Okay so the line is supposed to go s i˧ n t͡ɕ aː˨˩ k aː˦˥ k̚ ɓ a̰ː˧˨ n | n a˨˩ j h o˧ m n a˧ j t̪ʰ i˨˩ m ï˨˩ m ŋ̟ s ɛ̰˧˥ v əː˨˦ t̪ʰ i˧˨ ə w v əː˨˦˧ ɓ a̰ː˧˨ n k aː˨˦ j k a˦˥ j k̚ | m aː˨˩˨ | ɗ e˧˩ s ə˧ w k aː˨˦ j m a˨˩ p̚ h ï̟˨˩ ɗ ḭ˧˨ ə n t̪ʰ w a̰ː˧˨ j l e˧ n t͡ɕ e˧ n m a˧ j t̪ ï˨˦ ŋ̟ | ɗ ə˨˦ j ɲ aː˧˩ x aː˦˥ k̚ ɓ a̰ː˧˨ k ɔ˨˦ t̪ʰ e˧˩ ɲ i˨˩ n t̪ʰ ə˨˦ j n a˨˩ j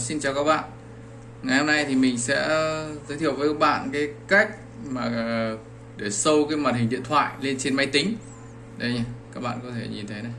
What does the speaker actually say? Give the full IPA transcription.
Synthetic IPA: s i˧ n t͡ɕ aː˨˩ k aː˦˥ k̚ ɓ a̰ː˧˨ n | ŋ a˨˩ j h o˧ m n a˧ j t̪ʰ i˨˩ m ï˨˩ ŋ̟ s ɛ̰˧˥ z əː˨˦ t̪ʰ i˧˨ ə w v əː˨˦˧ ɓ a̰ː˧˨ n k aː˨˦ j k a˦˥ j k̚ | m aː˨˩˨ | ɗ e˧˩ s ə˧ w k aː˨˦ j m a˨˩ t̚ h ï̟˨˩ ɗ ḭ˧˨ ə n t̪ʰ w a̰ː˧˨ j l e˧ n t͡ɕ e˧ n m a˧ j t̪ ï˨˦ ŋ̟ | ɗ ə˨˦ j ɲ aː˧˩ k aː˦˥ k̚ ɓ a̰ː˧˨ k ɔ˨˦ t̪ʰ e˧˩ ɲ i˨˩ n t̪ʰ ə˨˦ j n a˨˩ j